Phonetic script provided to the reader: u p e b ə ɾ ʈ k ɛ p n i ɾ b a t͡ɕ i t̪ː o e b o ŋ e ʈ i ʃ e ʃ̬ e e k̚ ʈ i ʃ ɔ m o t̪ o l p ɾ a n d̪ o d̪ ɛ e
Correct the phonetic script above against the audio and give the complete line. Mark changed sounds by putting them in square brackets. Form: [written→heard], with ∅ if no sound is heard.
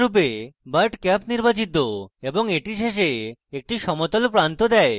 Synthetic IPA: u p e b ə ɾ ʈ k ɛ p n i ɾ b a t͡ɕ i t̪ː o e b o ŋ e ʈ i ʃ e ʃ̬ e e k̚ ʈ i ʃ ɔ m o t̪ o l p ɾ a n [d̪→t̪] o d̪ ɛ e